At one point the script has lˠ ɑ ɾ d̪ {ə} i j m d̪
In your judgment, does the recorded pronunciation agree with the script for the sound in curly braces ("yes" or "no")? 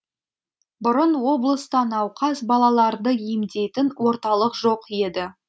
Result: yes